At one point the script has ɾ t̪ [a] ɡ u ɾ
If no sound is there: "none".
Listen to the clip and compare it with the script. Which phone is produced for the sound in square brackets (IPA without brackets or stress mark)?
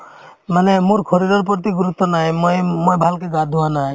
i